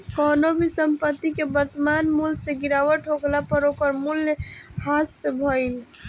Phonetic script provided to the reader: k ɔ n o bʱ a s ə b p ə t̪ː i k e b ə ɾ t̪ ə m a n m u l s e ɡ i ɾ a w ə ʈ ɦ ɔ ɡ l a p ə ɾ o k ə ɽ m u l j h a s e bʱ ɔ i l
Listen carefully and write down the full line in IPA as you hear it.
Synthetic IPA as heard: k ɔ n o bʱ i s ə m p ə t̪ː i k e b ə ɾ t̪ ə m a n m u l s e ɡ i ɾ a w ə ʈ ɦ o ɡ l a p ə ɾ o k ə ɾ m u l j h a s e bʱ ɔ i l